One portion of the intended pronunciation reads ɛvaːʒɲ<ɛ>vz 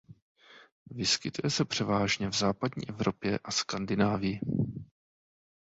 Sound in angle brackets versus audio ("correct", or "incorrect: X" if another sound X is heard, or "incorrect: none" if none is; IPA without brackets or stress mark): correct